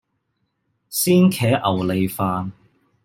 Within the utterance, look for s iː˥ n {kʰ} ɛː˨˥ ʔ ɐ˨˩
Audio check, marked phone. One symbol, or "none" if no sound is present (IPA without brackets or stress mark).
kʰ